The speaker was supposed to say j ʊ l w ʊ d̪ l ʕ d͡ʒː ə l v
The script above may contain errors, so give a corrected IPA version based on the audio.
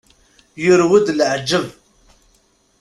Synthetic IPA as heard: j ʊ ɾ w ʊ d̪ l ʕ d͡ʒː ə v